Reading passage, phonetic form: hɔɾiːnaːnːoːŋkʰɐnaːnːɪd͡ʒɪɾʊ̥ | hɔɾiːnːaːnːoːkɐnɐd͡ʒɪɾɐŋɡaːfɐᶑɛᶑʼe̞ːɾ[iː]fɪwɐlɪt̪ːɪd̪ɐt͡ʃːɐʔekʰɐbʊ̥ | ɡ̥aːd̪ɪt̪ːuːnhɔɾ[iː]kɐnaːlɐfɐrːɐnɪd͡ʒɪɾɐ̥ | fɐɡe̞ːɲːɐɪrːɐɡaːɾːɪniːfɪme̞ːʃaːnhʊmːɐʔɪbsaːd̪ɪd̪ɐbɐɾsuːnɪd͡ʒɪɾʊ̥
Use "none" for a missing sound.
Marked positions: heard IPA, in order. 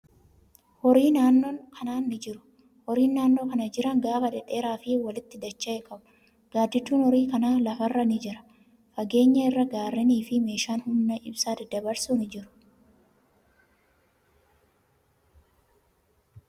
aː, iː

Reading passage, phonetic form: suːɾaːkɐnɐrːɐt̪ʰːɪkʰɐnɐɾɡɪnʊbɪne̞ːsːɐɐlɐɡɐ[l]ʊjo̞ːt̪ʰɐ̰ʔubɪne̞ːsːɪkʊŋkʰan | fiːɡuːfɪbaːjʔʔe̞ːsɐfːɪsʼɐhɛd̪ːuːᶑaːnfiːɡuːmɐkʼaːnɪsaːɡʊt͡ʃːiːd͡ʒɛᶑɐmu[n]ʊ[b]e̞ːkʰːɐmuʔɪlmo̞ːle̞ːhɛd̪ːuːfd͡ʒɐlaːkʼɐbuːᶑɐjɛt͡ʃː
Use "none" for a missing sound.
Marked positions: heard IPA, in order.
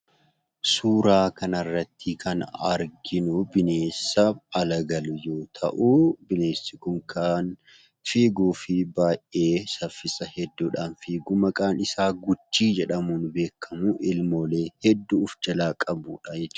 l, n, b

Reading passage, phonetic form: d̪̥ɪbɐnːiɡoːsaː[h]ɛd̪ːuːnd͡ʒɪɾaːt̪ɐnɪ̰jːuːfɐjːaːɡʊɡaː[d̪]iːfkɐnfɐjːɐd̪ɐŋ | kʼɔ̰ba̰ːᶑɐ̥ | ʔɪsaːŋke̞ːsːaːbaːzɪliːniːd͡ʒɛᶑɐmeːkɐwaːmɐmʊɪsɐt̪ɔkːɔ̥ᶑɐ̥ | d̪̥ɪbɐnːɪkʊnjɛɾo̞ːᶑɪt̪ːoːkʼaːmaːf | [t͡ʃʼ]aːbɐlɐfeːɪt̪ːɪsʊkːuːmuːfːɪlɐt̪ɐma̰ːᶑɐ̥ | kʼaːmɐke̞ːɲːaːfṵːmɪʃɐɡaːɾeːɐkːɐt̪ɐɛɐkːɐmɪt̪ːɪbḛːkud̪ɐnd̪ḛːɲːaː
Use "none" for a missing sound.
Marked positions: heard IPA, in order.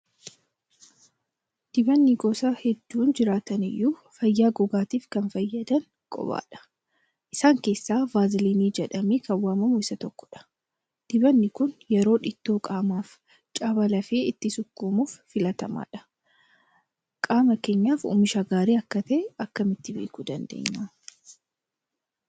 h, t̪, t͡ʃʼ

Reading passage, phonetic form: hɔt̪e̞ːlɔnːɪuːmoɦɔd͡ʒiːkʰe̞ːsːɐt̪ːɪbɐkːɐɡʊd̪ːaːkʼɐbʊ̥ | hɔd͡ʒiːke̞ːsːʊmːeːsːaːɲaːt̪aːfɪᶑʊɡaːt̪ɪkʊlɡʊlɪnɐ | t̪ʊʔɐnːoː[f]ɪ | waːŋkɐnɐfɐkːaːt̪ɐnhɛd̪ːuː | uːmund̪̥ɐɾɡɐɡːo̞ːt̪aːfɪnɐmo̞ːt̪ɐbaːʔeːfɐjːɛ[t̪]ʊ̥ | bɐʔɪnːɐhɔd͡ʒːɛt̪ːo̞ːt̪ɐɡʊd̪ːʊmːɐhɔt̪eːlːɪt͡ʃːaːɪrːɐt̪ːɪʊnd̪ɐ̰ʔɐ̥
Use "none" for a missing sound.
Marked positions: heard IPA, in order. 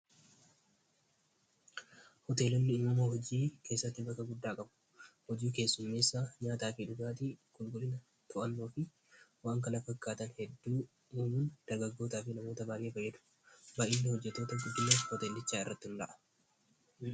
f, d̪

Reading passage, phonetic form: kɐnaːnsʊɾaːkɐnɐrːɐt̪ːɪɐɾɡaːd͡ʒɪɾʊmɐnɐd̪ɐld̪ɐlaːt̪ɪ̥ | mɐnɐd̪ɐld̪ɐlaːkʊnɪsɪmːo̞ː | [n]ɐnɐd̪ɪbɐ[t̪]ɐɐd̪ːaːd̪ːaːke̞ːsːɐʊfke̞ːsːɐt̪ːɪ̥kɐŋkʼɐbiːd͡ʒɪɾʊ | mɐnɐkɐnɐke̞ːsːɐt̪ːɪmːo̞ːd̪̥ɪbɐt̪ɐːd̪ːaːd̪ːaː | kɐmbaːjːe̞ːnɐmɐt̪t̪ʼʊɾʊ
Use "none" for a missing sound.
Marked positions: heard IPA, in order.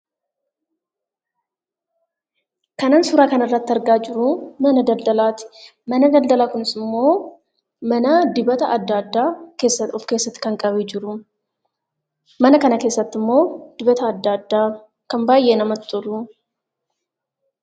m, t̪

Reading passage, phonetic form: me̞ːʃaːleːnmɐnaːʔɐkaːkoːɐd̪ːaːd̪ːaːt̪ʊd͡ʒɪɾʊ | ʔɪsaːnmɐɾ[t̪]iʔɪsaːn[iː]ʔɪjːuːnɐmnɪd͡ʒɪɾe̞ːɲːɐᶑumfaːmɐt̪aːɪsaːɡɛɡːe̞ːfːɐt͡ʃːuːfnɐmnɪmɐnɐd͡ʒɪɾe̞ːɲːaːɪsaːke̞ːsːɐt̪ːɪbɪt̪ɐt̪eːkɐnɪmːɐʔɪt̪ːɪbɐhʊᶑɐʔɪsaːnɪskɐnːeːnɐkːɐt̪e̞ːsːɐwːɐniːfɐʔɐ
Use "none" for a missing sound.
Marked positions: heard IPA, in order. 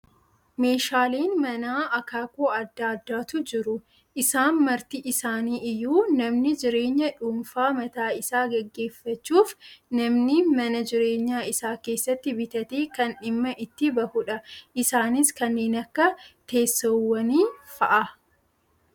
t̪, iː

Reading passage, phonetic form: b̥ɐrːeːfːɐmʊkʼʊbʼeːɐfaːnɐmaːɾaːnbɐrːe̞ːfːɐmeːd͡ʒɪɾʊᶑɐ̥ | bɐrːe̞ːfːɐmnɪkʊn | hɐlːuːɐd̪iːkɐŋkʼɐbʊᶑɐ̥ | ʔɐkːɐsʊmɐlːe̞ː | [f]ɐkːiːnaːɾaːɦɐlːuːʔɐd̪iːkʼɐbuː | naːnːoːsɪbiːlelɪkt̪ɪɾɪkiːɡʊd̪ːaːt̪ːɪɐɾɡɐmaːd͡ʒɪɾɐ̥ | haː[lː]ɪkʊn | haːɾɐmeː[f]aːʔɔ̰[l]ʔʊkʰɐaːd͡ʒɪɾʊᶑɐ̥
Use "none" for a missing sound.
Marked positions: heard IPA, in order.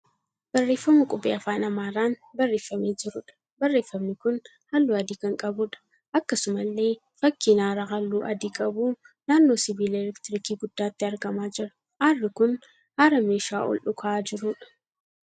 f, rː, ʃ, l

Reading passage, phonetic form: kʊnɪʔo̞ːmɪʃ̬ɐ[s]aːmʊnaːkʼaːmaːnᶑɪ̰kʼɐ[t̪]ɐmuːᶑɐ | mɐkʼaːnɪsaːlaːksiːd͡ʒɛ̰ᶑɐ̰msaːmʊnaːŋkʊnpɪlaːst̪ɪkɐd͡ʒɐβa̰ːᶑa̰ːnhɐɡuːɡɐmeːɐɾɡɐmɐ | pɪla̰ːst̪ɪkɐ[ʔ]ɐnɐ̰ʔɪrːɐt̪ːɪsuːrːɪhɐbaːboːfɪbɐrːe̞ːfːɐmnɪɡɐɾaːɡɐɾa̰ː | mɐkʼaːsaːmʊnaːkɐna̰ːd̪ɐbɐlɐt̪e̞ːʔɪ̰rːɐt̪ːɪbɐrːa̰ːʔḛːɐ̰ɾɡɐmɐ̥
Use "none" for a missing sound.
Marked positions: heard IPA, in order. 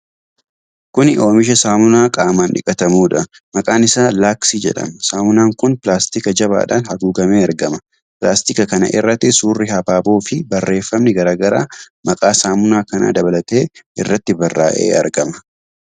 s, t̪, k

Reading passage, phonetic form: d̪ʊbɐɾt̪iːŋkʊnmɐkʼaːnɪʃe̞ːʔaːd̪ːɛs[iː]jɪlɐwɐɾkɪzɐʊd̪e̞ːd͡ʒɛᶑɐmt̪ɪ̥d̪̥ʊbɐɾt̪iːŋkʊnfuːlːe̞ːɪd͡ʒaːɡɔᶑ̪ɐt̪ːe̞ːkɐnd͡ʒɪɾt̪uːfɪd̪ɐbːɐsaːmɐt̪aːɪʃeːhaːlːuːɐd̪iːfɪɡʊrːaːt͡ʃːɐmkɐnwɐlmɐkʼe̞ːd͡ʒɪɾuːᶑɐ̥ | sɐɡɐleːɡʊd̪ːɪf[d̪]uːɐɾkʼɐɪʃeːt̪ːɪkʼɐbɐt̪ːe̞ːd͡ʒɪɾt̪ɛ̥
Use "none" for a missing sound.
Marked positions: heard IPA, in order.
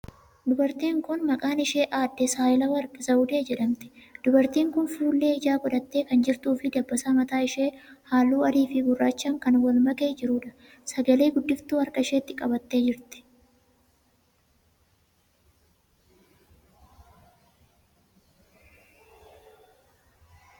aː, t̪

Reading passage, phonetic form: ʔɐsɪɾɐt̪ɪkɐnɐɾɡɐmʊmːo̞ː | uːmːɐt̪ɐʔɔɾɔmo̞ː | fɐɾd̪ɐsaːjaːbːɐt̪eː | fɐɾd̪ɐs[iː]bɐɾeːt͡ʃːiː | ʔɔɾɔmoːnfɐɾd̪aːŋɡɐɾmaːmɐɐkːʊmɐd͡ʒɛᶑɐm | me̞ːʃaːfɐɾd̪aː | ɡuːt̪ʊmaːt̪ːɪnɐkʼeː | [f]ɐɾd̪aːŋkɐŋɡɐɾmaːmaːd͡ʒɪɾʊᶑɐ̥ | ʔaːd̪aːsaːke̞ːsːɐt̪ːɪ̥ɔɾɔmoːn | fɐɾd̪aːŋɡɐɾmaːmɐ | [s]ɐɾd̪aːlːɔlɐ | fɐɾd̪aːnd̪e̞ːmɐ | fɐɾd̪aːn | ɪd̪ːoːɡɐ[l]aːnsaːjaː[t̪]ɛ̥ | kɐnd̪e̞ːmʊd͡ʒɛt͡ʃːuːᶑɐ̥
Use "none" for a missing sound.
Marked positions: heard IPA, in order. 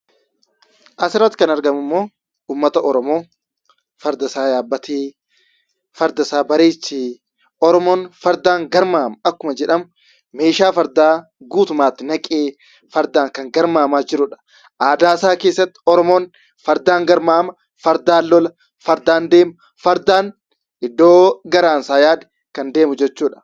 aː, f, f, ɾ, d̪

